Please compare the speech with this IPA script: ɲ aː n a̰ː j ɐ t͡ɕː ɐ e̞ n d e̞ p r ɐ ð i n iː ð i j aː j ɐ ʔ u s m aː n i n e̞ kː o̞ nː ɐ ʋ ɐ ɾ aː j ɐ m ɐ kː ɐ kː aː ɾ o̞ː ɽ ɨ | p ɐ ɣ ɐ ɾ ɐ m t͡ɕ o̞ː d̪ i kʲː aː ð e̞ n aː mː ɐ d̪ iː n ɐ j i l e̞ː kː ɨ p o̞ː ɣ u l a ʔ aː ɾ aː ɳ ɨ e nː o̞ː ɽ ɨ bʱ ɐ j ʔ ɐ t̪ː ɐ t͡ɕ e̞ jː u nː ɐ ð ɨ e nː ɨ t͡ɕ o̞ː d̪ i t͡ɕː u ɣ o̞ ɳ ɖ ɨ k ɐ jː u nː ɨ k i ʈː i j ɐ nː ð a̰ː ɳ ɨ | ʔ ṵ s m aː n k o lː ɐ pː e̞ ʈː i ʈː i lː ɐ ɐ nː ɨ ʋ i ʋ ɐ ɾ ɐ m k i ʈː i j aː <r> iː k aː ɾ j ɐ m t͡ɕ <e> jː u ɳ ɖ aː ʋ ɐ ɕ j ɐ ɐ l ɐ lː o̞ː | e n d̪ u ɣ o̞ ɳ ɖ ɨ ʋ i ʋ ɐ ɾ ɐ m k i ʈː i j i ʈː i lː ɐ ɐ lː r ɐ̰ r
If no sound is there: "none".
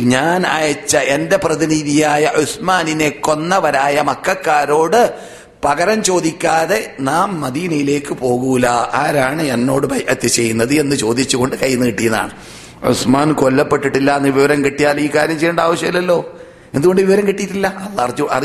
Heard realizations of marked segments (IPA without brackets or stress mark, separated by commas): l, e